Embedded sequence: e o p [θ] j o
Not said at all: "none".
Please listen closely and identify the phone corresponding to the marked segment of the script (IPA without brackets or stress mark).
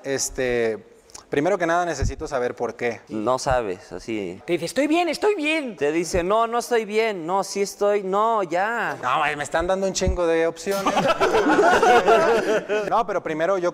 s